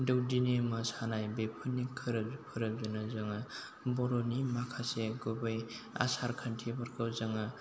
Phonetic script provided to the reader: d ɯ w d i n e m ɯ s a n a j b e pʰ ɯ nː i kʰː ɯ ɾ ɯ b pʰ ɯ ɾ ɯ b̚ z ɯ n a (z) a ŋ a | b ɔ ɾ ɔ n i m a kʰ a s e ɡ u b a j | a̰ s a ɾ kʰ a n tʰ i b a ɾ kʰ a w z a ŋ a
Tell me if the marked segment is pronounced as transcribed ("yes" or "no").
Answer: yes